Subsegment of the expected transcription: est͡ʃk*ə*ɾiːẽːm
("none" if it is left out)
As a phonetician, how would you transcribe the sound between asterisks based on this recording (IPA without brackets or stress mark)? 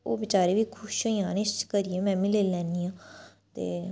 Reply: ə